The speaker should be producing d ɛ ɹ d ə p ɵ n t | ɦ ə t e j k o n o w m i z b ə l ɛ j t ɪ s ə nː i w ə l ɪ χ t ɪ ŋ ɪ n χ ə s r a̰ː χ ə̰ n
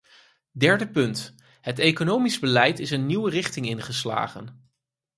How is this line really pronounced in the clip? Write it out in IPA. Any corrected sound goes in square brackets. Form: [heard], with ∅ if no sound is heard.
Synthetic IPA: d ɛ ɹ d ə p ɵ n t | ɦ ə t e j k o n o w m i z b ə l ɛ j t ɪ s ə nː i w ə [r] ɪ χ t ɪ ŋ ɪ n χ ə s [l] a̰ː χ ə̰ n